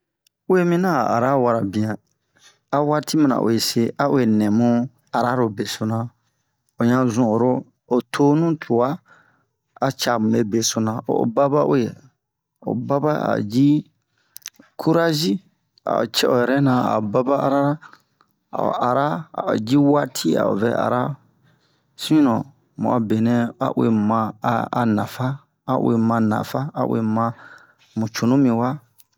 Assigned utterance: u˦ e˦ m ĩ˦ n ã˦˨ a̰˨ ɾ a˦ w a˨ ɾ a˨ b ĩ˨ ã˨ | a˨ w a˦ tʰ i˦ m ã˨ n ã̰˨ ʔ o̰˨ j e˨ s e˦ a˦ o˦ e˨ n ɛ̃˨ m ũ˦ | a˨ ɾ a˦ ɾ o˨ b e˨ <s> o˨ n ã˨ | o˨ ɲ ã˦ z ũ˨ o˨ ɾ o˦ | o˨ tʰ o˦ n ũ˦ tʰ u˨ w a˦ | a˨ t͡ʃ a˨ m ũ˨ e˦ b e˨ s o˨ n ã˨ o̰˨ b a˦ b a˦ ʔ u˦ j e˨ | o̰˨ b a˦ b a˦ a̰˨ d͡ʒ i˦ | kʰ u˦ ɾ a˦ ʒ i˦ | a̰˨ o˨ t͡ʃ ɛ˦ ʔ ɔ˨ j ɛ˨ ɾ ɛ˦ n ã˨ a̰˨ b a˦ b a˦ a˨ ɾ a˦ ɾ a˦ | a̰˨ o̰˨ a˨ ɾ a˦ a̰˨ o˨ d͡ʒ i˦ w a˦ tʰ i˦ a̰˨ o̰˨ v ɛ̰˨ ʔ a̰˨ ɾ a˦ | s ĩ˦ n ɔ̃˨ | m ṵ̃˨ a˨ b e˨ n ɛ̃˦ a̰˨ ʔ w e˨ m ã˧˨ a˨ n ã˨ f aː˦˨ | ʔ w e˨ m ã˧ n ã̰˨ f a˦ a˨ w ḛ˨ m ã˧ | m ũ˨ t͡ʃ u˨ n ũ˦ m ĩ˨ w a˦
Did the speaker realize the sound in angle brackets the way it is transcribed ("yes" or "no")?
yes